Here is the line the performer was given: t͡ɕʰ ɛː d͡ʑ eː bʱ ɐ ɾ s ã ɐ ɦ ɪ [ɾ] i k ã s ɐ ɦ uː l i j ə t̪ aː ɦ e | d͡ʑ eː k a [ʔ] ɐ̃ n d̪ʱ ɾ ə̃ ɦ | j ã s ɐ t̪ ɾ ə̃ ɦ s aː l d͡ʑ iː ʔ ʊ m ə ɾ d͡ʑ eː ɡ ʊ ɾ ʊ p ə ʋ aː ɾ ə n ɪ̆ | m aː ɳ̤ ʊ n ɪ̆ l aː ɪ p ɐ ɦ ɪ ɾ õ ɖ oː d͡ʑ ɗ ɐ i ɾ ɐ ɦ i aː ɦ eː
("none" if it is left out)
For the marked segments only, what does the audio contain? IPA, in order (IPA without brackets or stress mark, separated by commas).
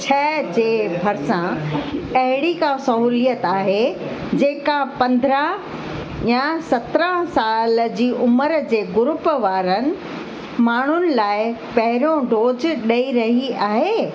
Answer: ɽ, p